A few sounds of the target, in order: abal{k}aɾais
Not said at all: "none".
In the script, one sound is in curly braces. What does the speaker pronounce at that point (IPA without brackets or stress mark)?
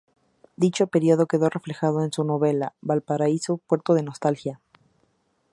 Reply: p